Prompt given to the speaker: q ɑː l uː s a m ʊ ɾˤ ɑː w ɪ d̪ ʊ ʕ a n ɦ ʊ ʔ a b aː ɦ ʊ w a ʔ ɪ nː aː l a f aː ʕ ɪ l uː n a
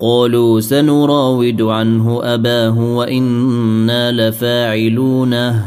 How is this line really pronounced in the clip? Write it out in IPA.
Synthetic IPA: q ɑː l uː s a n ʊ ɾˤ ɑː w ɪ d̪ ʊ ʕ a n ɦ ʊ ʔ a b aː ɦ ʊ w a ʔ ɪ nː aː l a f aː ʕ ɪ l uː n a